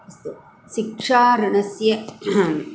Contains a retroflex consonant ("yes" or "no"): yes